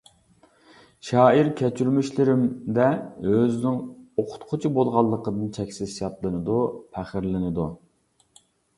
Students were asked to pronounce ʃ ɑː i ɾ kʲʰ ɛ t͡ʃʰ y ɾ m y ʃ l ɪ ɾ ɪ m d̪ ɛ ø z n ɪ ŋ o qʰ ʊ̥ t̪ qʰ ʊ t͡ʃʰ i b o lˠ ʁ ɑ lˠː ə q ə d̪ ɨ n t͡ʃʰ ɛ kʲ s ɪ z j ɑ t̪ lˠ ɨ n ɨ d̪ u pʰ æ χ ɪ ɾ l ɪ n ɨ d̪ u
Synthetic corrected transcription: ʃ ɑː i ɾ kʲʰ ɛ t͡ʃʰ y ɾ m y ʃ l ɪ ɾ ɪ m d̪ ɛ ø z n ɪ ŋ o qʰ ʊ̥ t̪ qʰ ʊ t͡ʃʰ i b o lˠ ʁ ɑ lˠː ə q ə d̪ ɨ n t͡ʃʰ ɛ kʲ s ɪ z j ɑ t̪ lˠ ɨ n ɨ d̪ u pʰ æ χ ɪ ɾ l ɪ n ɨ d̪ u

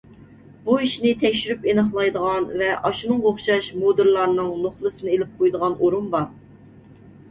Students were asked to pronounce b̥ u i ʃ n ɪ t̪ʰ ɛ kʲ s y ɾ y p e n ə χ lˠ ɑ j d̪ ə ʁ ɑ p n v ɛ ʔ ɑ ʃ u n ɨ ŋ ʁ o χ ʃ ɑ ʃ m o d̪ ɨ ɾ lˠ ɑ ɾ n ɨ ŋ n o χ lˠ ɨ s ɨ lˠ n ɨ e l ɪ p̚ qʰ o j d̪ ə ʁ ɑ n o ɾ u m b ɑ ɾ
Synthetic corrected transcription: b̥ u i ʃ n ɪ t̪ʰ ɛ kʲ ʃ y ɾ y p e n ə χ lˠ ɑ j d̪ ə ʁ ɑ n v ɛ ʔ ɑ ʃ u n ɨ ŋ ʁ o χ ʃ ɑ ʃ m o d̪ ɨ ɾ lˠ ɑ ɾ n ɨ ŋ n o χ lˠ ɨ s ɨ n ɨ e l ɪ p̚ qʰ o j d̪ ə ʁ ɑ n o ɾ u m b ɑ ɾ

